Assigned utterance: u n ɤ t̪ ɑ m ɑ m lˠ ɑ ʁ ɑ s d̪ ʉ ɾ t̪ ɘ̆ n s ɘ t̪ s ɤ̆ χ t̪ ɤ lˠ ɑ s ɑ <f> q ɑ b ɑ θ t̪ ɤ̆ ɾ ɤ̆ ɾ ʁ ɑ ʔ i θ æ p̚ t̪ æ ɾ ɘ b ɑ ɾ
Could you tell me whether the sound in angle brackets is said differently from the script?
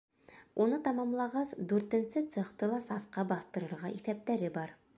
no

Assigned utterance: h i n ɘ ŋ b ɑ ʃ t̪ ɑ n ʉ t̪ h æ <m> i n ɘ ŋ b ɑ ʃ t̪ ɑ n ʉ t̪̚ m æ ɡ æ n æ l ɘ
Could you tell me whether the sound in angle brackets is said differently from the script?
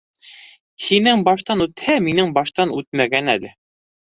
no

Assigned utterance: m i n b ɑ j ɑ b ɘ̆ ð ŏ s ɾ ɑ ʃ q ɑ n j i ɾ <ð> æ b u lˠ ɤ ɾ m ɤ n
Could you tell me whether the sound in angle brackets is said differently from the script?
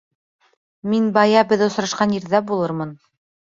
no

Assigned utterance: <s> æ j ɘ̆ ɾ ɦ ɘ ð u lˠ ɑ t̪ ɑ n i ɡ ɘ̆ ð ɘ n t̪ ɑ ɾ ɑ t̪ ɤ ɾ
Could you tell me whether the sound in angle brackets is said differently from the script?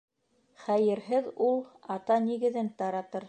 yes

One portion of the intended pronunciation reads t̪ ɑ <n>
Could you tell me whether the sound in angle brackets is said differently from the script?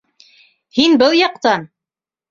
no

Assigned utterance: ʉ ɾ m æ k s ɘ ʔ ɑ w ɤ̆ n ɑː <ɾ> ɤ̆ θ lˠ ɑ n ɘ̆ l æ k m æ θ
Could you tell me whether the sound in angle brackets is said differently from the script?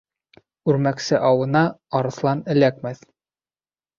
no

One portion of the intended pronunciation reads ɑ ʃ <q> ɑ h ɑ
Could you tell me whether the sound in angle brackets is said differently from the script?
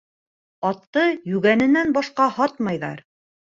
no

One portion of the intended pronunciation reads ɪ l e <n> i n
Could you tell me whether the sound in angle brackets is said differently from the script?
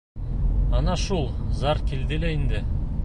yes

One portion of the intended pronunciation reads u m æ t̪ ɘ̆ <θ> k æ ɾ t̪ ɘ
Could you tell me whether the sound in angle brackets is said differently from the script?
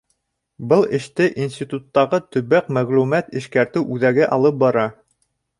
yes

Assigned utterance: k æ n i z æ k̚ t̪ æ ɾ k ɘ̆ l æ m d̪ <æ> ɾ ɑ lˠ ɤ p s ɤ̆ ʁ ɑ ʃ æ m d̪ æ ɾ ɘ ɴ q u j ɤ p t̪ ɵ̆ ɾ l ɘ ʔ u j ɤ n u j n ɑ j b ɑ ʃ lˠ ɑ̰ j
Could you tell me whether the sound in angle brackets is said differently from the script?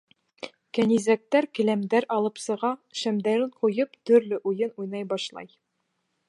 no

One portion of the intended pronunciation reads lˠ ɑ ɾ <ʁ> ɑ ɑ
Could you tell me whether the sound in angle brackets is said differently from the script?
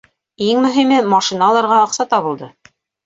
no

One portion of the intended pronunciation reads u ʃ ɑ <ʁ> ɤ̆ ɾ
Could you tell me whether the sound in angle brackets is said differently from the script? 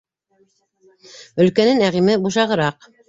no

